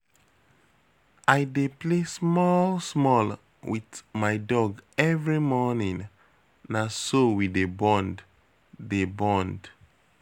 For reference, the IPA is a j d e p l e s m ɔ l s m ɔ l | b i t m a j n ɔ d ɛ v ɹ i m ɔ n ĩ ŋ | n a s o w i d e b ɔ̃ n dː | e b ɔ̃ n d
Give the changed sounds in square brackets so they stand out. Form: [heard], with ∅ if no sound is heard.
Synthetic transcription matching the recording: a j d e p l e s m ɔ l s m ɔ l | [w] i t m a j [d] ɔ [ɡ] ɛ v ɹ i m ɔ n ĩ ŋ | n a s o w i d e b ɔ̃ n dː | e b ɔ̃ n d